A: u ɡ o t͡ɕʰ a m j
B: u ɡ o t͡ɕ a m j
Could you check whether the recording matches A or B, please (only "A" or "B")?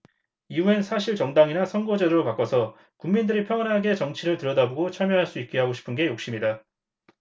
A